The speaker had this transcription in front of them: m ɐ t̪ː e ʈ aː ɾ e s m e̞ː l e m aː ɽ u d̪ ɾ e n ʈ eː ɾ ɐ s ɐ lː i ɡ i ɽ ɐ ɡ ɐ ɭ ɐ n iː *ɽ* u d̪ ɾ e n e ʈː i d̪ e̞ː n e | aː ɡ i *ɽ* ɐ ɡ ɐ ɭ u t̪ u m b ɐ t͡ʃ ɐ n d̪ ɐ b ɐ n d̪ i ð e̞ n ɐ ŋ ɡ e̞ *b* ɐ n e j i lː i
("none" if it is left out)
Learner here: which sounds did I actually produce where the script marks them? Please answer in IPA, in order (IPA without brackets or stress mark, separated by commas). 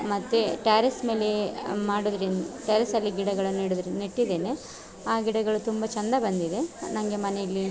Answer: ɽ, ɽ, m